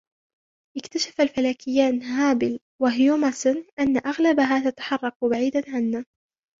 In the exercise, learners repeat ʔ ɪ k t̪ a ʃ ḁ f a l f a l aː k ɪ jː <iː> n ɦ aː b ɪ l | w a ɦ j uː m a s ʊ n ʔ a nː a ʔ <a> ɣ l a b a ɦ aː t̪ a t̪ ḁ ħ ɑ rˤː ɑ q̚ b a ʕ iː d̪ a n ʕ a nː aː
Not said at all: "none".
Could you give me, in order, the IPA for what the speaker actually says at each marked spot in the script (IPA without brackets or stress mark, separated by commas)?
aː, a